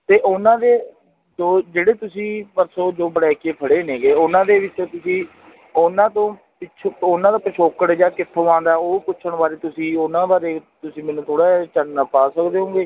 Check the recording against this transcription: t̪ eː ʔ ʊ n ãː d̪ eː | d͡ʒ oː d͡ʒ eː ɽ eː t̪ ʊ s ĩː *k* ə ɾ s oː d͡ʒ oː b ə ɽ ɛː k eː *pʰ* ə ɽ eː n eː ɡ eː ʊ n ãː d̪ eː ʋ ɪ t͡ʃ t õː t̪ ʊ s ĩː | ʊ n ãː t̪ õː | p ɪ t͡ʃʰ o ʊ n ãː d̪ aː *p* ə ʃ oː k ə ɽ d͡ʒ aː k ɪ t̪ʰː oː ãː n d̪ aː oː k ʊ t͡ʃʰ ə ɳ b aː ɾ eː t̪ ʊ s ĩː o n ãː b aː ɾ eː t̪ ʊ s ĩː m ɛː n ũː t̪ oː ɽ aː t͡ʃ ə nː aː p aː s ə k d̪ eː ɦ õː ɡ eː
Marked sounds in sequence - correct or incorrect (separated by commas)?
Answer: incorrect, correct, correct